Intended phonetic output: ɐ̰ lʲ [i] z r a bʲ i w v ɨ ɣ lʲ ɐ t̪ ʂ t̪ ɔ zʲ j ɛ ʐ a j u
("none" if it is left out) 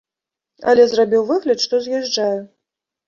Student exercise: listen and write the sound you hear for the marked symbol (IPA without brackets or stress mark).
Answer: ɛ